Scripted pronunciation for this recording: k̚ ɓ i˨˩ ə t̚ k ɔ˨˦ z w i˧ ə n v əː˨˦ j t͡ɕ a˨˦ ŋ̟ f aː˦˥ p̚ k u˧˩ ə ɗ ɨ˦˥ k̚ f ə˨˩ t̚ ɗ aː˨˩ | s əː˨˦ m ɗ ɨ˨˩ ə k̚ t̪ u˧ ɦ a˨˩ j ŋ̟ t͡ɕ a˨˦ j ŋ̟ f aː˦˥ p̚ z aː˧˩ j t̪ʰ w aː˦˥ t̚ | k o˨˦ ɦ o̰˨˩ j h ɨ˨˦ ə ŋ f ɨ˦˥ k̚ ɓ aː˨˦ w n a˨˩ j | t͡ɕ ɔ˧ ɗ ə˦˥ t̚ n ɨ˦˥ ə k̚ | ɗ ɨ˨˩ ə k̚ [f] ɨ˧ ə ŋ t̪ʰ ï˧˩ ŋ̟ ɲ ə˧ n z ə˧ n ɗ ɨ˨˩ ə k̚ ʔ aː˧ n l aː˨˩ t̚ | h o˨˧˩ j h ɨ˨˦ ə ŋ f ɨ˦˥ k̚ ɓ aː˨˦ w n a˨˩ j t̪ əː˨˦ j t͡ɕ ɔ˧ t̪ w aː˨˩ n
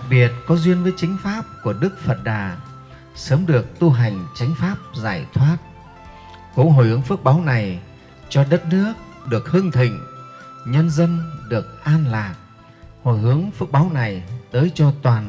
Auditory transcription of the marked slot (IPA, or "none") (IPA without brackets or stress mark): h